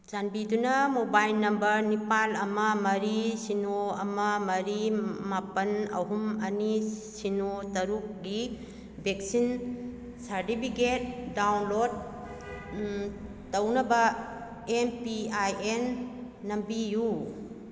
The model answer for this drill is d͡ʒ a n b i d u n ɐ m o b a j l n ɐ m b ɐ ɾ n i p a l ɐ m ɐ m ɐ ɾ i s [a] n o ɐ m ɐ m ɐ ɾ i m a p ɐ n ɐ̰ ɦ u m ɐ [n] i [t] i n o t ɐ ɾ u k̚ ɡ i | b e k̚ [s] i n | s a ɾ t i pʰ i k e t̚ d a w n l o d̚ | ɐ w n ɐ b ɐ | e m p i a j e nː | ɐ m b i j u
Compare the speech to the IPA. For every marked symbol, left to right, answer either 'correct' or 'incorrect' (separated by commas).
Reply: incorrect, correct, incorrect, correct